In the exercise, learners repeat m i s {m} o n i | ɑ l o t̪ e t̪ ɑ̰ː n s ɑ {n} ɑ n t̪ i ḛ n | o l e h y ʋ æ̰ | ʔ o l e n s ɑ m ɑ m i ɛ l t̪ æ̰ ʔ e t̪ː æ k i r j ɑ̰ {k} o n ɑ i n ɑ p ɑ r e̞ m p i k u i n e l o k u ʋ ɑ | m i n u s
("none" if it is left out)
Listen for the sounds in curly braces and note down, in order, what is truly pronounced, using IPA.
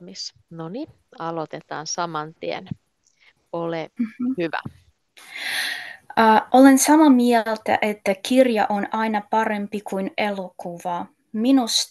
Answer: n, m, ʔ

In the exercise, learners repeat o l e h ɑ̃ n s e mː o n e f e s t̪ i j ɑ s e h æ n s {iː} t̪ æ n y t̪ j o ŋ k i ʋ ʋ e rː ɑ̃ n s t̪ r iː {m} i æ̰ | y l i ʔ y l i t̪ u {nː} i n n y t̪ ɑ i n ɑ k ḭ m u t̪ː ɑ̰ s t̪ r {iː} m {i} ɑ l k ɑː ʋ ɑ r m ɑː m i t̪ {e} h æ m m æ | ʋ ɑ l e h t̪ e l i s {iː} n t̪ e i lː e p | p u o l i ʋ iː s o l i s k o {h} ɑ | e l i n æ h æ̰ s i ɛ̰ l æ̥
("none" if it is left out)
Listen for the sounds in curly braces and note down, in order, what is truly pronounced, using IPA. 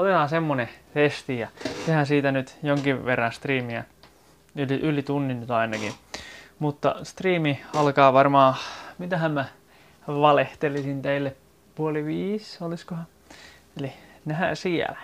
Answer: iː, m, nː, iː, i, æ, i, h

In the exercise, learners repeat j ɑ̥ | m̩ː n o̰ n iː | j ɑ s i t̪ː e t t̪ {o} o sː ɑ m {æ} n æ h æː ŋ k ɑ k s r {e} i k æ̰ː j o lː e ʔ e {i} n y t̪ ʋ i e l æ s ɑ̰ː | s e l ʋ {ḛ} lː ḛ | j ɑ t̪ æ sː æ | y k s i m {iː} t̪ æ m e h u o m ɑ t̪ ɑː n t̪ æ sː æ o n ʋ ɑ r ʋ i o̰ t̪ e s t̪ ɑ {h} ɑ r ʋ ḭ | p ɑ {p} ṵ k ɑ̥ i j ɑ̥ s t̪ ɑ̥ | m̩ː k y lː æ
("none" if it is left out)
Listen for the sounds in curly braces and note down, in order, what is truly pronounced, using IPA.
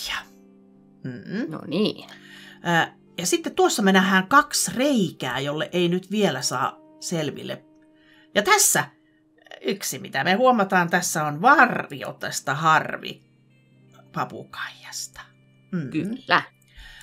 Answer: u, e, e, i, ḭ, i, h, p

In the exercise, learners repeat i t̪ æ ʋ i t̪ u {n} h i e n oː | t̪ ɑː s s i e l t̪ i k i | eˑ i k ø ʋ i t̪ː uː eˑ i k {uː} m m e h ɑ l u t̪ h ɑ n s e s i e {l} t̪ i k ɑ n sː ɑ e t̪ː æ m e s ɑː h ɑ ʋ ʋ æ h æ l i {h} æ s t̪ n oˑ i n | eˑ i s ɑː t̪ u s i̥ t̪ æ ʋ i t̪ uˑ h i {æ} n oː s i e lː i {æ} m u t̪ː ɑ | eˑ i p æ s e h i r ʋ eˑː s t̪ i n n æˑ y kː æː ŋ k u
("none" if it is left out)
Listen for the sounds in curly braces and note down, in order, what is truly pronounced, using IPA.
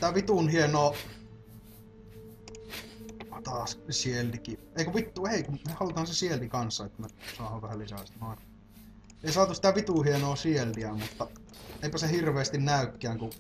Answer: n, u, l, s, e, æ

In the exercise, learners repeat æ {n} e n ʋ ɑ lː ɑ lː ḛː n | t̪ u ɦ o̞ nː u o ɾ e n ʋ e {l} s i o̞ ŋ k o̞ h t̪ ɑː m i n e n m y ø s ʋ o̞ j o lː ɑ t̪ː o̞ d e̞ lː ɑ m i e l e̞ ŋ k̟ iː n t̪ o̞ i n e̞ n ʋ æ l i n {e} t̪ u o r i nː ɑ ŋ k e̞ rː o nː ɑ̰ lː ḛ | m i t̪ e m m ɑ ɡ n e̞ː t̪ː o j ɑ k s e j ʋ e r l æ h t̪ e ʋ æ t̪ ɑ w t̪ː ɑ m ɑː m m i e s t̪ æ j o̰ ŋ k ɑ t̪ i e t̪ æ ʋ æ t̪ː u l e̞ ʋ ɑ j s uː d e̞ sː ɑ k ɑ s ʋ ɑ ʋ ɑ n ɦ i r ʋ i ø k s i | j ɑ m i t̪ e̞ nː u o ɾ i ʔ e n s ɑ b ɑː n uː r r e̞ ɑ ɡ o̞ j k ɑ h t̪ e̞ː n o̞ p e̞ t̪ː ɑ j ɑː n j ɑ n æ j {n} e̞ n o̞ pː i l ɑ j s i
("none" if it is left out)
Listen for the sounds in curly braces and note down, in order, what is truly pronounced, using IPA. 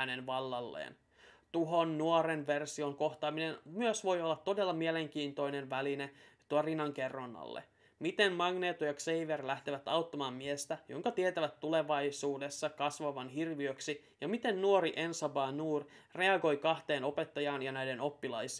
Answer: n, r, e, d

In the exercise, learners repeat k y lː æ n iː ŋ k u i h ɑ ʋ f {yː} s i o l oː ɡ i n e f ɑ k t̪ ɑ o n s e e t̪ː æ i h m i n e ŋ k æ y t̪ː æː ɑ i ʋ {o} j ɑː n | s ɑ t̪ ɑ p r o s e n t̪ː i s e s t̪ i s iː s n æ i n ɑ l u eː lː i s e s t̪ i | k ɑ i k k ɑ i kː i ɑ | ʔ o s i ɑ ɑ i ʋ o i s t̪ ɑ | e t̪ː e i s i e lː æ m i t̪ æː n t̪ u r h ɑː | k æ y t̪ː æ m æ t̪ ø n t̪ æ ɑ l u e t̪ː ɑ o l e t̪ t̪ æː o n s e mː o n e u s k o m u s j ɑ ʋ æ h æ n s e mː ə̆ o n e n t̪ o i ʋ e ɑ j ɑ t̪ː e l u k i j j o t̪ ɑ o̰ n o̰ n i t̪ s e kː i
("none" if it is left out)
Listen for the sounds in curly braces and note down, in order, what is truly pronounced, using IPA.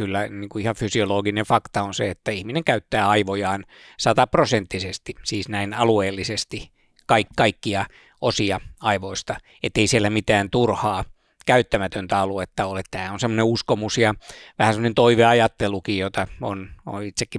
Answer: y, o

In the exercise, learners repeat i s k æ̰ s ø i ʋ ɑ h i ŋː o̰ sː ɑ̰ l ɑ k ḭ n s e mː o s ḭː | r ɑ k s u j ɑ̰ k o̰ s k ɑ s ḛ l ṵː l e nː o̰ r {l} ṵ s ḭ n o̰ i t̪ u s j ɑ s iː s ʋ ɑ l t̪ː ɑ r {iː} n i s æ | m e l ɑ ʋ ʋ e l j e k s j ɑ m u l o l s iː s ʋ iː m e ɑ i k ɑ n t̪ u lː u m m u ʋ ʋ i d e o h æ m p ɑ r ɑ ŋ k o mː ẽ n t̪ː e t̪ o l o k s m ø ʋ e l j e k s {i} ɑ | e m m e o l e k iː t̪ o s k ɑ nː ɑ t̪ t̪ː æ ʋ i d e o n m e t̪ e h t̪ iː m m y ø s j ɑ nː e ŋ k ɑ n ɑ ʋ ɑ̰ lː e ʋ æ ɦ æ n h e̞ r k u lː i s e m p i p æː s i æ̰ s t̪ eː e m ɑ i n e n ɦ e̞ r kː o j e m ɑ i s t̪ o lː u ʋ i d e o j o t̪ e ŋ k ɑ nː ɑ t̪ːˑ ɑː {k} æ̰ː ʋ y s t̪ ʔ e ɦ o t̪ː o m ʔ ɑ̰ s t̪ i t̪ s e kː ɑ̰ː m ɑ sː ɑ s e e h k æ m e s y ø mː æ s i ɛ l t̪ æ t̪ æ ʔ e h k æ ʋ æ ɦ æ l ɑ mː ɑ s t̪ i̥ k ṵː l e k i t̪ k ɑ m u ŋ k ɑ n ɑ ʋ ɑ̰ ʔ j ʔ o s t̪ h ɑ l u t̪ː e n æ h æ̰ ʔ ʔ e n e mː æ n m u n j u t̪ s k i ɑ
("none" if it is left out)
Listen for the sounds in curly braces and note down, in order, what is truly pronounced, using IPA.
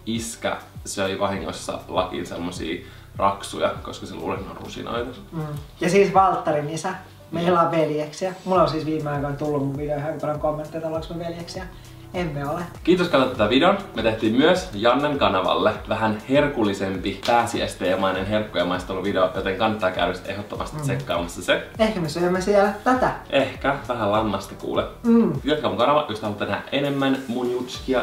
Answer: r, i, j, k

